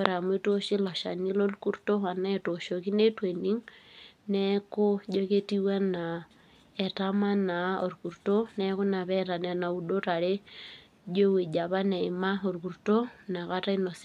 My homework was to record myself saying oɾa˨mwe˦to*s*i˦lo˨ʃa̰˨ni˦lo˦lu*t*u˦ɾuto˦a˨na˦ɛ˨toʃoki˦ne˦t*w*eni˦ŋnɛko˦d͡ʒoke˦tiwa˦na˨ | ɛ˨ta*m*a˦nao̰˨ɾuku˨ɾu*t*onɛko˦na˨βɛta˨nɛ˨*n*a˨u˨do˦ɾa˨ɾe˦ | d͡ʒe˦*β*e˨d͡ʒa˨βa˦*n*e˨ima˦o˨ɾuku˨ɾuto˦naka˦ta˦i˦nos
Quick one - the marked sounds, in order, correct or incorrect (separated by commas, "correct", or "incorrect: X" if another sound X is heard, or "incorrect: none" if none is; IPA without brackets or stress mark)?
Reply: incorrect: ʃ, incorrect: k, correct, correct, correct, correct, incorrect: w, correct